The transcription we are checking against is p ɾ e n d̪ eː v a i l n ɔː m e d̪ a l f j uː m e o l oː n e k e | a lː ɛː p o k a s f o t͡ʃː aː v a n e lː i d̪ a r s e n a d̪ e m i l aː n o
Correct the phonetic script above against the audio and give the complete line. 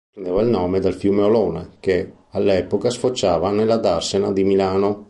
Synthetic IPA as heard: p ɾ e n d̪ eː v a i l n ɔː m e d̪ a l f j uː m e o l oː n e k e | a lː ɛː p o k a s f o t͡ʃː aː v a n e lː a d̪ a r s e n a d̪ i m i l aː n o